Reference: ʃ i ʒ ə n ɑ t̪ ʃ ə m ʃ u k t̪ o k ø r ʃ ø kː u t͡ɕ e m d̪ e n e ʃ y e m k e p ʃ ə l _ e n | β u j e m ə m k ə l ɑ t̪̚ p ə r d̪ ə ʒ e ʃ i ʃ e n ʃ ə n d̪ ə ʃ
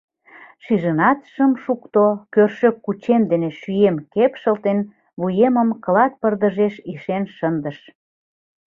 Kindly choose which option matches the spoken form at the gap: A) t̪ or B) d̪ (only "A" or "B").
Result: A